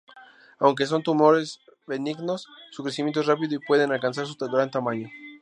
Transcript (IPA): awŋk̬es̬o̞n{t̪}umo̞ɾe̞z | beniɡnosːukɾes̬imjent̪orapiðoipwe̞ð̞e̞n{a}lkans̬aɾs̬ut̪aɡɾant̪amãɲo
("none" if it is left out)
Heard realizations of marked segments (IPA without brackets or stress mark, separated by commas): t̪, a